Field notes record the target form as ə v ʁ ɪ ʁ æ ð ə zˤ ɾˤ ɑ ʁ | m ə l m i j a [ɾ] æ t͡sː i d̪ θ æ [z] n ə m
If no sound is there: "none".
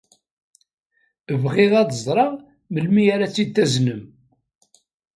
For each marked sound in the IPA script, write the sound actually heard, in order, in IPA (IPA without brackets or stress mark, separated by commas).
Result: ɾ, z